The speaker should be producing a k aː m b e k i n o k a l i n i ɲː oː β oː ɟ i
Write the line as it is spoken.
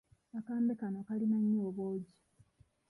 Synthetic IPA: a k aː m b e k a n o k a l i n a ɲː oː β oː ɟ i